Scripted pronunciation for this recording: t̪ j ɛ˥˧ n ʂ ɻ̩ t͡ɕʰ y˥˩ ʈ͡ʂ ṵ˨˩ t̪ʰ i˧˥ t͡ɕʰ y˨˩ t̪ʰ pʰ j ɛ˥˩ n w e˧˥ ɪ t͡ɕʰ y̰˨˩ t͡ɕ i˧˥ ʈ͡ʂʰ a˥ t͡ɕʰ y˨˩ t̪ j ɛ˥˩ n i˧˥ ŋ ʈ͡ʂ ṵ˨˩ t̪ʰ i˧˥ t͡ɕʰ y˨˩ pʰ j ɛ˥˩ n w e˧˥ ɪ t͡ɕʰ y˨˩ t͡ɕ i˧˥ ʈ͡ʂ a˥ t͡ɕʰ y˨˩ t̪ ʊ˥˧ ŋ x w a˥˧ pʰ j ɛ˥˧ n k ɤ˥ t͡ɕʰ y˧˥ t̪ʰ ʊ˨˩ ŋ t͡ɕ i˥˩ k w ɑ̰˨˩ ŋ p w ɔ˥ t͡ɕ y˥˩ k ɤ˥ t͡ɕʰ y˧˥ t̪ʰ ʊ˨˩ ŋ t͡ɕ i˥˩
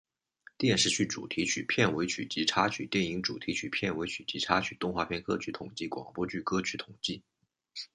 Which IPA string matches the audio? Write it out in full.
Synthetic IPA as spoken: t̪ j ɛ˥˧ n ʂ ɻ̩ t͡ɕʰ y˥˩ ʈ͡ʂ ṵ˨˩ t̪ʰ i˧˥ t͡ɕʰ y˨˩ pʰ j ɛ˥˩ n w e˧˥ ɪ t͡ɕʰ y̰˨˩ t͡ɕ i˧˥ ʈ͡ʂʰ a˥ t͡ɕʰ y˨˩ t̪ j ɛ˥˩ n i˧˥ ŋ ʈ͡ʂ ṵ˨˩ t̪ʰ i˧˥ t͡ɕʰ y˨˩ pʰ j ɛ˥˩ n w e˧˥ ɪ t͡ɕʰ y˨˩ t͡ɕ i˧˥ ʈ͡ʂʰ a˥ t͡ɕʰ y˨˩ t̪ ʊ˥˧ ŋ x w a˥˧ pʰ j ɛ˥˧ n k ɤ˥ t͡ɕʰ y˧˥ t̪ʰ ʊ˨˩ ŋ t͡ɕ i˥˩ k w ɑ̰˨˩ ŋ p w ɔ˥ t͡ɕ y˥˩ k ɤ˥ t͡ɕʰ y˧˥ t̪ʰ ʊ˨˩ ŋ t͡ɕ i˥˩